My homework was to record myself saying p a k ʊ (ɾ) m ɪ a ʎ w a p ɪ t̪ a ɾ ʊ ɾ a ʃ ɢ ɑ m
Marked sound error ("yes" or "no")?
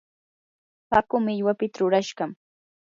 yes